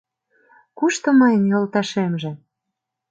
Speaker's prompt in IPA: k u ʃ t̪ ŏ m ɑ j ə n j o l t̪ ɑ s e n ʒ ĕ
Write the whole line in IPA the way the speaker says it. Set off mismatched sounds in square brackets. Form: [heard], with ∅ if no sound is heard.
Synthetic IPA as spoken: k u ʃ t̪ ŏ m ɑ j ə n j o l t̪ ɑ [ʃ] e [m] ʒ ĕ